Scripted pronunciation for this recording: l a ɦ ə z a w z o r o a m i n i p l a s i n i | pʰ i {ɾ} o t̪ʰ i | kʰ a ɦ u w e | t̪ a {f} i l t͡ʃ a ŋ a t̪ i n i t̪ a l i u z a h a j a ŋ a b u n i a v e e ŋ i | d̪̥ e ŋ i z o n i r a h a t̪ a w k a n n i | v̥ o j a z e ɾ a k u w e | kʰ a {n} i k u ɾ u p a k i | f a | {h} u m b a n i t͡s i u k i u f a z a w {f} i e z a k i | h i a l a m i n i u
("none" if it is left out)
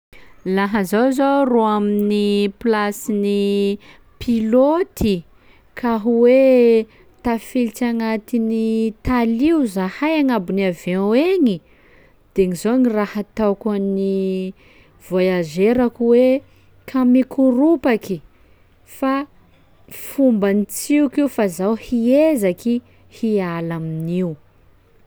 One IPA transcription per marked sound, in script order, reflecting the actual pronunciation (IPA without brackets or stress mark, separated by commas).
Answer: l, f, m, f, h